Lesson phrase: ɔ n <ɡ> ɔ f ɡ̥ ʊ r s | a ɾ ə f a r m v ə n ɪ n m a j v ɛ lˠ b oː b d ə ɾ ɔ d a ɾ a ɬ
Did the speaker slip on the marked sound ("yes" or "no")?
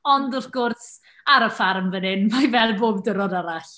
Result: yes